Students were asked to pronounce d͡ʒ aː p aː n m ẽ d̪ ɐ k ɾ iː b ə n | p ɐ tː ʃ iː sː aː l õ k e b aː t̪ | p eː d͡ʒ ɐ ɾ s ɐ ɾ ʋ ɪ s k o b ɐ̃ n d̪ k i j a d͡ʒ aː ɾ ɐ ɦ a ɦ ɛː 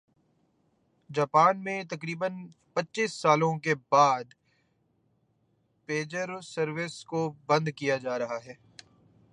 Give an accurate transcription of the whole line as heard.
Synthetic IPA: d͡ʒ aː p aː n m ẽ t̪ ɐ k ɾ iː b ə n | p ɐ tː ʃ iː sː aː l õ k e b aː d̪ | p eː d͡ʒ ə ɾ s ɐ ɾ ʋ ɪ s k o b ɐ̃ n d̪ k i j a d͡ʒ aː ɾ ɐ ɦ a ɦ ɛː